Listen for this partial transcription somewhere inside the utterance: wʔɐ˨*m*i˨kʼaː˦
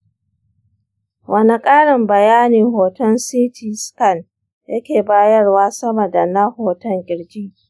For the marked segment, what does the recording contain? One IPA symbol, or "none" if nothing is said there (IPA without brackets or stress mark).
n